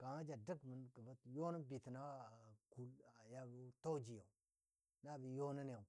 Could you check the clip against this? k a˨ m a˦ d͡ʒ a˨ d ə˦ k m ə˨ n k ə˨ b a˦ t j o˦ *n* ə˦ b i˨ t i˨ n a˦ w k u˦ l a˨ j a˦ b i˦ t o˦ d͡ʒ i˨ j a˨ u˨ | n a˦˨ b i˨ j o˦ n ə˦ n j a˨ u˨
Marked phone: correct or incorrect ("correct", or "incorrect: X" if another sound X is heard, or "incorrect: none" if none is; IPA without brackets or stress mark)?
correct